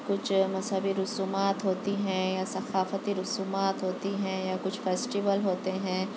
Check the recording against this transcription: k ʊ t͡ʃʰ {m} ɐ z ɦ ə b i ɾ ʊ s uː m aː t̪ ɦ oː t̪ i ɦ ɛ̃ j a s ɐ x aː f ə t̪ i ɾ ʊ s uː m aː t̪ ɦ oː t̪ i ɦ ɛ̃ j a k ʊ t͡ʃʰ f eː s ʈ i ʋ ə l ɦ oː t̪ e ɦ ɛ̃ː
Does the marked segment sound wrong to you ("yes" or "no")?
no